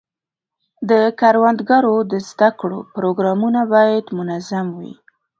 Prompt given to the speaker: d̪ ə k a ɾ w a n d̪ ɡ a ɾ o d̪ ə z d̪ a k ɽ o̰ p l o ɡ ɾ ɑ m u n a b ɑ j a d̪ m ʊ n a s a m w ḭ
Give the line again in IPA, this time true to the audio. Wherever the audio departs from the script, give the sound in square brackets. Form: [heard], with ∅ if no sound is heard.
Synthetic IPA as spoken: d̪ ə k a ɾ w a n d̪ ɡ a ɾ o d̪ ə z d̪ a k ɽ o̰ p [ɾ] o ɡ ɾ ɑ m u n a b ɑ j a d̪ m ʊ n a [z] a m w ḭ